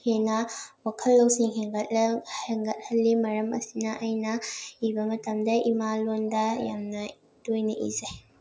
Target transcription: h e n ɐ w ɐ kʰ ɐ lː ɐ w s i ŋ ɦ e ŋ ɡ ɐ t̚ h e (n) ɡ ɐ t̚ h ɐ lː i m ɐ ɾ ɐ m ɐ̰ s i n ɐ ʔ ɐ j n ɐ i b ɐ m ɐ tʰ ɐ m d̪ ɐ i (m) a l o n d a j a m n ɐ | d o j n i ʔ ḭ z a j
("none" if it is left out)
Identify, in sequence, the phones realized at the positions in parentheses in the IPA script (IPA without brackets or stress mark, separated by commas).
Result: ŋ, m